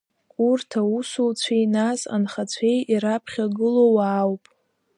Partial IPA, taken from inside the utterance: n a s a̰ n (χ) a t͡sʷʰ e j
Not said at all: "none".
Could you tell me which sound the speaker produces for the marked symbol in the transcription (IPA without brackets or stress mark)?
χ